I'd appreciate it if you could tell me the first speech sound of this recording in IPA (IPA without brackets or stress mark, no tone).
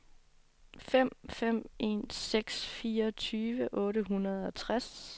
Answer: f